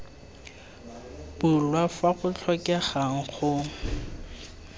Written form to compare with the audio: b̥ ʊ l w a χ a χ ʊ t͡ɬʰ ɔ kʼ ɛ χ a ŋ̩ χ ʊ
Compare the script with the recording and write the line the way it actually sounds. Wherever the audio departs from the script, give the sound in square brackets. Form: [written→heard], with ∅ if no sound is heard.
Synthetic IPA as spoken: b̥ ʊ l w a [χ→f] a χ ʊ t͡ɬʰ ɔ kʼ ɛ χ a ŋ̩ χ ʊ